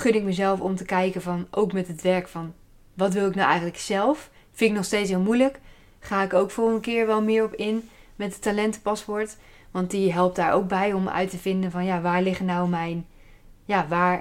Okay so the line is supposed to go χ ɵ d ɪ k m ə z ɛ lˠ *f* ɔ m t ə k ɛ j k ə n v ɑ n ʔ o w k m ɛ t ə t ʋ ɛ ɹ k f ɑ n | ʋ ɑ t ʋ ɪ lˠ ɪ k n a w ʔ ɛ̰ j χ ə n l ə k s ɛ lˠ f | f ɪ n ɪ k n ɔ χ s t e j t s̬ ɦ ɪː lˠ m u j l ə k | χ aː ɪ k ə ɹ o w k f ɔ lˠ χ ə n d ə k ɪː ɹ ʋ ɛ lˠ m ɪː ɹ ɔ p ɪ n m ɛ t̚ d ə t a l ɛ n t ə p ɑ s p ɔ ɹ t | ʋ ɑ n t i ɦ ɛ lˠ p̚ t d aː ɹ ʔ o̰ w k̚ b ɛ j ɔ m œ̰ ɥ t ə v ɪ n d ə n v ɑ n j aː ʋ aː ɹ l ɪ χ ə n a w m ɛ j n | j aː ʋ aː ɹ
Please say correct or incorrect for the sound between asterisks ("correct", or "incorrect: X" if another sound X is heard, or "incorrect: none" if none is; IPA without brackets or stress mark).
correct